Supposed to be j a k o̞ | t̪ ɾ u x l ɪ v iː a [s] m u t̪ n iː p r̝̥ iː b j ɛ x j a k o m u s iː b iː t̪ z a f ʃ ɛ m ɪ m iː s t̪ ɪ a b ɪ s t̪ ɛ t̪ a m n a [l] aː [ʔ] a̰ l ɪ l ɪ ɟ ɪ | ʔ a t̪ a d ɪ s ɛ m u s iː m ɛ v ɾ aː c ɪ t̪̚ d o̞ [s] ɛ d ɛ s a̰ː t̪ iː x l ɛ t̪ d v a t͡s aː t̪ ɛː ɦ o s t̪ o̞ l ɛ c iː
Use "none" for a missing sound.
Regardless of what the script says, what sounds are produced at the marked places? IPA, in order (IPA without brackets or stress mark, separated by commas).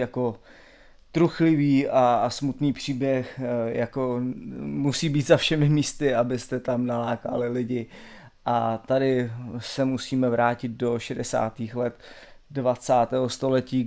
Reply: s, l, k, ʃ